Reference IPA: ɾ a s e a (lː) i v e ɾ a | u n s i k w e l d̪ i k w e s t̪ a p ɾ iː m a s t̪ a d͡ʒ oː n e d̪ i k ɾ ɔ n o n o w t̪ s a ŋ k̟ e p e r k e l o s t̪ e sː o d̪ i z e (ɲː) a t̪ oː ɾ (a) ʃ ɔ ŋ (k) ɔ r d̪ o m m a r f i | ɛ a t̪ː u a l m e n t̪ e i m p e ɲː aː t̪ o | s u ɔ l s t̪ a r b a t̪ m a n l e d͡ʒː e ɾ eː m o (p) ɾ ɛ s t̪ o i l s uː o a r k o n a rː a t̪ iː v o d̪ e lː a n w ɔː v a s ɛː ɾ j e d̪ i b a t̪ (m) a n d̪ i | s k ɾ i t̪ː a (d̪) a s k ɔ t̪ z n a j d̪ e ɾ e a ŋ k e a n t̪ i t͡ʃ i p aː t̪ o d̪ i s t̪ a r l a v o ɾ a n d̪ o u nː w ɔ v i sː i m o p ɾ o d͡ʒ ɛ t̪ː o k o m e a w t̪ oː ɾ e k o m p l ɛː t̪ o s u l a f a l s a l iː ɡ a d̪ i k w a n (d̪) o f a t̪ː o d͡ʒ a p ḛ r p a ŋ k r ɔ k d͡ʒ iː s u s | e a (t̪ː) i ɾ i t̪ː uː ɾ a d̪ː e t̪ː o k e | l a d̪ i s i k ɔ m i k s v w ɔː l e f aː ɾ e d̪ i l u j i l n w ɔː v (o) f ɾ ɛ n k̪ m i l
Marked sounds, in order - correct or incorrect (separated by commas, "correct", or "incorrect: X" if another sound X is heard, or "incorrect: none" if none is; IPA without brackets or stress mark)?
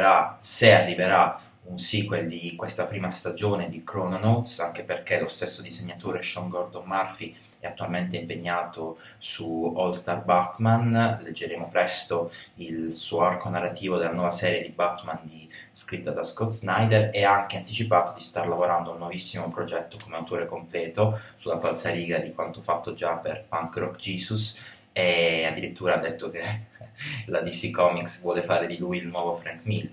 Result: incorrect: rː, correct, incorrect: e, incorrect: ɡ, correct, correct, correct, incorrect: t̪, incorrect: d̪ː, correct